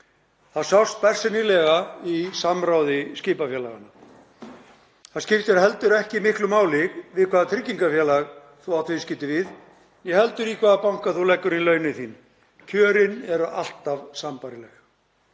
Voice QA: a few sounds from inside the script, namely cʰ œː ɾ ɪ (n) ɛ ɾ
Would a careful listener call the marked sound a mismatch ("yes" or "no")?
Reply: no